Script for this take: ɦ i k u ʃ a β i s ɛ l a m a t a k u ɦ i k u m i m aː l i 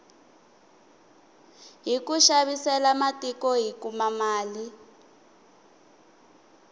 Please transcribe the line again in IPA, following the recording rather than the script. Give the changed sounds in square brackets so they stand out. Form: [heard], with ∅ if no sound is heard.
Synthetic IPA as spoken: ɦ i k u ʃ a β i s ɛ l a m a t [i] k [ɔ] ɦ i k u m [a] m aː l i